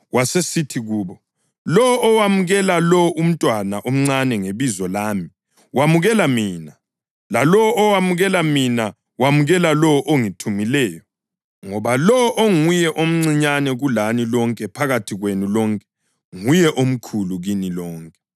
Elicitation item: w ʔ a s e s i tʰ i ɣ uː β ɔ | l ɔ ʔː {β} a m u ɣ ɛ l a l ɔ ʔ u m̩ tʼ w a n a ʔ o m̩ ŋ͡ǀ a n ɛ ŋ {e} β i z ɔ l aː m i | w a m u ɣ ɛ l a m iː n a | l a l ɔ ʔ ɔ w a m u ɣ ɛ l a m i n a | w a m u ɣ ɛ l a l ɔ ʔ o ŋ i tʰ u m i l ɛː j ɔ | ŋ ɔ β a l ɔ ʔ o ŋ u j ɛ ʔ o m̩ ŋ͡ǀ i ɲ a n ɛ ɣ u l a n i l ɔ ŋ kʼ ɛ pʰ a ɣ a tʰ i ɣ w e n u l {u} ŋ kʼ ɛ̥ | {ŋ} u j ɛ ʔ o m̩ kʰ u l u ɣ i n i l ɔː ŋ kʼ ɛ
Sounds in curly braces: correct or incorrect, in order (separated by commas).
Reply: incorrect, correct, incorrect, correct